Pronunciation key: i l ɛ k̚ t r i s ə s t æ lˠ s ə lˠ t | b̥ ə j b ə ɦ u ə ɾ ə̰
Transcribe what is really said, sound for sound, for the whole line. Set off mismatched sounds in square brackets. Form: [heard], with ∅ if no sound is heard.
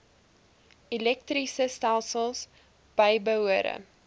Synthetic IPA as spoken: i l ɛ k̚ t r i s ə s t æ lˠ s ə lˠ [s] | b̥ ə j b ə ɦ u ə ɾ ə̰